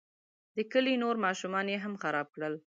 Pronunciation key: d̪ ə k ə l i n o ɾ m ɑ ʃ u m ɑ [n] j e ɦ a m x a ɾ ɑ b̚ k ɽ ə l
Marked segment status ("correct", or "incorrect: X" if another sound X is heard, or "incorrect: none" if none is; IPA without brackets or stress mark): correct